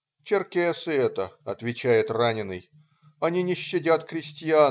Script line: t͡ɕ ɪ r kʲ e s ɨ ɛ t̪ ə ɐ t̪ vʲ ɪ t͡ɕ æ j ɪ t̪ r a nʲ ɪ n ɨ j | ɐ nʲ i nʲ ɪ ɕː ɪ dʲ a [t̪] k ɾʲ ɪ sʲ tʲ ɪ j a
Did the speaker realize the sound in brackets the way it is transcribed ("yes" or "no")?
yes